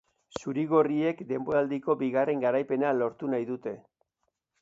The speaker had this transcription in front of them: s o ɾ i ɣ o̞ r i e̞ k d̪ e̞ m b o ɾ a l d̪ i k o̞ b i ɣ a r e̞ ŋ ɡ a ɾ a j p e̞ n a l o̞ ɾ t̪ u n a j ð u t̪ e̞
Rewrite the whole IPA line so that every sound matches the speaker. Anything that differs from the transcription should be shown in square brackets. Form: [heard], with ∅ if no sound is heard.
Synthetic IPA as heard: s [u] ɾ i ɣ o̞ r i e̞ k d̪ e̞ m b o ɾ a l d̪ i k o̞ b i ɣ a r e̞ ŋ ɡ a ɾ a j p e̞ n a l o̞ ɾ t̪ u n a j ð u t̪ e̞